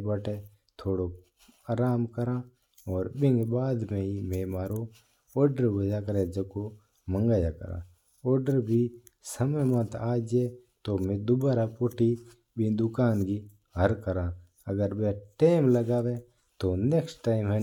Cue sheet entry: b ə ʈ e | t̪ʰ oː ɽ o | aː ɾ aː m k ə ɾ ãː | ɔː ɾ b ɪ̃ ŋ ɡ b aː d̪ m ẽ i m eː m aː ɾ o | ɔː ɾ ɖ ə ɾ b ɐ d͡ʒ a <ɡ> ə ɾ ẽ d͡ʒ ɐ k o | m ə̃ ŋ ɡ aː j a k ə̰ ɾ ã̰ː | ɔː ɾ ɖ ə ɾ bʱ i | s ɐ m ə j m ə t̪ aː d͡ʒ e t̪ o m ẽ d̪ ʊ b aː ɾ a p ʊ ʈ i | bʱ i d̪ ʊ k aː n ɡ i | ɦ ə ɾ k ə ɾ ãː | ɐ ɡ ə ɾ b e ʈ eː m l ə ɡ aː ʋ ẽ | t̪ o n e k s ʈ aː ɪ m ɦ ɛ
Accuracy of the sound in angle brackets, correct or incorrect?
incorrect